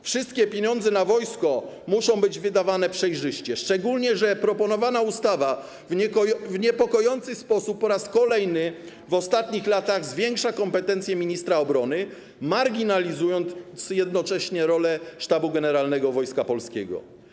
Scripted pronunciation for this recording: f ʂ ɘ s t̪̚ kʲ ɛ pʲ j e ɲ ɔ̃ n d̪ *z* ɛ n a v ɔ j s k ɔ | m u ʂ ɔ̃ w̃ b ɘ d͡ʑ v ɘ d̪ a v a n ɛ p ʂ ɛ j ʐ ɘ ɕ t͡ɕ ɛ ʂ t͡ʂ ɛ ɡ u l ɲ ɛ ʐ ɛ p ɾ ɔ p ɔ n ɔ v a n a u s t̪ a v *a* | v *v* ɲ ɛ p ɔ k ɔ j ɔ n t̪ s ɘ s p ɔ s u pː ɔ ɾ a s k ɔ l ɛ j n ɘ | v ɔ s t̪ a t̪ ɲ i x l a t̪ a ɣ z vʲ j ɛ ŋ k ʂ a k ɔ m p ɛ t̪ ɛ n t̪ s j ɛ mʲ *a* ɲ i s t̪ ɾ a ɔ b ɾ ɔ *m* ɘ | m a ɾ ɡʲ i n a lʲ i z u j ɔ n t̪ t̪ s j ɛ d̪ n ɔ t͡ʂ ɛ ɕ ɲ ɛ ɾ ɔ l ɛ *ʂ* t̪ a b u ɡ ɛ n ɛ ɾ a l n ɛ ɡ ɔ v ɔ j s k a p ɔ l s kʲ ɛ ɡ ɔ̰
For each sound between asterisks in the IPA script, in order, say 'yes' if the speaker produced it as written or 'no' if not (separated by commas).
yes, yes, yes, no, no, yes